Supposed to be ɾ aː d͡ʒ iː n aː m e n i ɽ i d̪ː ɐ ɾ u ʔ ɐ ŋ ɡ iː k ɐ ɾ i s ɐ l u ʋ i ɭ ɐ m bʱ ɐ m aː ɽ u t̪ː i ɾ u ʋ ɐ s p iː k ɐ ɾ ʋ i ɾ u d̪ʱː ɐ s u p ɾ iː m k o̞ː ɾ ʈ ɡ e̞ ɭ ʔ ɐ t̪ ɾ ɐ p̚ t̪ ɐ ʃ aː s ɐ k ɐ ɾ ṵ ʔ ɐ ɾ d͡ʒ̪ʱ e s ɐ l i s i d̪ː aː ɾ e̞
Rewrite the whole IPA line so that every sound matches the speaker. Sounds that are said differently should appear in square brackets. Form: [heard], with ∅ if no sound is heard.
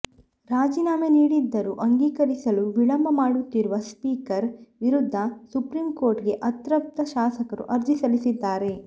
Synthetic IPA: ɾ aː d͡ʒ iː n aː m e n [iː] ɽ i d̪ː ɐ ɾ u ʔ ɐ ŋ ɡ iː k ɐ ɾ i s ɐ l u ʋ i ɭ ɐ m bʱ ɐ m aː ɽ u t̪ː i ɾ u ʋ ɐ s p iː k ɐ ɾ ʋ i ɾ u d̪ʱː ɐ s u p ɾ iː m k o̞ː ɾ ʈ ɡ e̞ [∅] ʔ ɐ t̪ ɾ ɐ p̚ t̪ ɐ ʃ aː s ɐ k ɐ ɾ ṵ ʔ ɐ ɾ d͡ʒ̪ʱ [i] s ɐ l i s i d̪ː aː ɾ e̞

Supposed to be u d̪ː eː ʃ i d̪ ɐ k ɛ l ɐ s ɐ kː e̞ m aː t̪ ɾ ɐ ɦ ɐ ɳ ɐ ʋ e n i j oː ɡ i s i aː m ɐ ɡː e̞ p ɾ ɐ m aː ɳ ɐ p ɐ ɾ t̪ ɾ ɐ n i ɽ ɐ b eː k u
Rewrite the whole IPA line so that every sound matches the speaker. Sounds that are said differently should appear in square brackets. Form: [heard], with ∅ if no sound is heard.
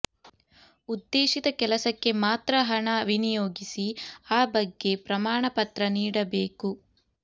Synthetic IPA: u d̪ː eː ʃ i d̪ ɐ k ɛ l ɐ s ɐ kː e̞ m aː t̪ ɾ ɐ ɦ ɐ ɳ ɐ ʋ [i] n i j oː ɡ i s i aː [b] ɐ ɡː e̞ p ɾ ɐ m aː ɳ ɐ p ɐ [∅] t̪ ɾ ɐ n [iː] ɽ ɐ b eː k u

